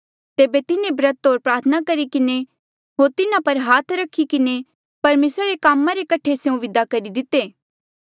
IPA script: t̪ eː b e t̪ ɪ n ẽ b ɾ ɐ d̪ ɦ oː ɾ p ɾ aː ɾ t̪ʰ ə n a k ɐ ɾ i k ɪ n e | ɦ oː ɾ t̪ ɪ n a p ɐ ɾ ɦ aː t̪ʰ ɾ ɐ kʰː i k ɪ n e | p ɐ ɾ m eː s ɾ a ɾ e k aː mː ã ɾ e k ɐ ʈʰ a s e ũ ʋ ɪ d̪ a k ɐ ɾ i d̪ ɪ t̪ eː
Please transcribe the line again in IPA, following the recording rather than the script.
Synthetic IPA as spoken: t̪ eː b e t̪ ɪ n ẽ b ɾ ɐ t̪ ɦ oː ɾ p ɾ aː ɾ t̪ʰ ə n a k ɐ ɾ i k ɪ n e | ɦ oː ɾ t̪ ɪ n a p ɐ ɾ ɦ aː t̪ʰ ɾ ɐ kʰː i k ɪ n e | p ɐ ɾ m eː s ɾ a ɾ e k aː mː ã ɾ e k ɐ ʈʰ e s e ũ ʋ ɪ d̪ a k ɐ ɾ i d̪ ɪ t̪ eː